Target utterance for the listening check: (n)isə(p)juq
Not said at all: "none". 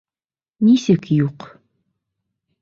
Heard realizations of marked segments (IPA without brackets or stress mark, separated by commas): n, k